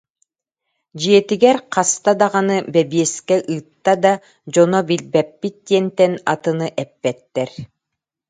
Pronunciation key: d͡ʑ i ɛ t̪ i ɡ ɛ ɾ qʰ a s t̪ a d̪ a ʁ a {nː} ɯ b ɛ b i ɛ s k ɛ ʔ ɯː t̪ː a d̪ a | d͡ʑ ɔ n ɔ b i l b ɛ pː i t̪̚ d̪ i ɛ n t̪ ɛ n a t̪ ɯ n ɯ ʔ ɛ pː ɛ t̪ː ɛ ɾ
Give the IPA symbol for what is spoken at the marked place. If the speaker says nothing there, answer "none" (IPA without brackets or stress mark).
n